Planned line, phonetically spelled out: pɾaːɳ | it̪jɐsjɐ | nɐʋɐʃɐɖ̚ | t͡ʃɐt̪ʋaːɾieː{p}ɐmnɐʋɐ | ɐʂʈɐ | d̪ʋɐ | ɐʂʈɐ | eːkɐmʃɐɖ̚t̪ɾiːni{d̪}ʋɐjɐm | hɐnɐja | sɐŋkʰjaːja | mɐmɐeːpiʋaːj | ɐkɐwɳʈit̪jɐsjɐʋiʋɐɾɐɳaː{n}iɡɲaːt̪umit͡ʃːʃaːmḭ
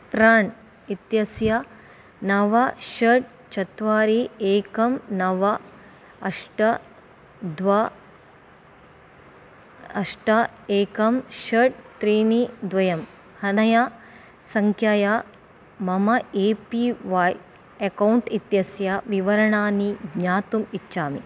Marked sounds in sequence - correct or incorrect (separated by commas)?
incorrect, correct, correct